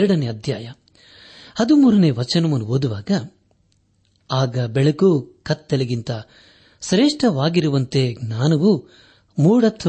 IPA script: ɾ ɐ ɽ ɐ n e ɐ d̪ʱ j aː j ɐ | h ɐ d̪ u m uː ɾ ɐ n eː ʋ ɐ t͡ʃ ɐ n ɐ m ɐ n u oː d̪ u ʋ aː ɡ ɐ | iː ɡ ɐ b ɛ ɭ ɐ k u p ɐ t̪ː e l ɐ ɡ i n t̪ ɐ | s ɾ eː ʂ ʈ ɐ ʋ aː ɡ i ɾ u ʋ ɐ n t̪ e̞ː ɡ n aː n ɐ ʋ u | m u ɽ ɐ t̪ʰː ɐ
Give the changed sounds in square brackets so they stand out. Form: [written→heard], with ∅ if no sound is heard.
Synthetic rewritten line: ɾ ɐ ɽ ɐ n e ɐ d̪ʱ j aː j ɐ | h ɐ d̪ u m uː ɾ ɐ n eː ʋ ɐ t͡ʃ ɐ n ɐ m ɐ n u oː d̪ u ʋ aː ɡ ɐ | [iː→aː] ɡ ɐ b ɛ ɭ ɐ k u [p→k] ɐ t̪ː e l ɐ ɡ i n t̪ ɐ | s ɾ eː ʂ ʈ ɐ ʋ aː ɡ i ɾ u ʋ ɐ n t̪ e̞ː ɡ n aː n ɐ ʋ u | m [u→uː] ɽ ɐ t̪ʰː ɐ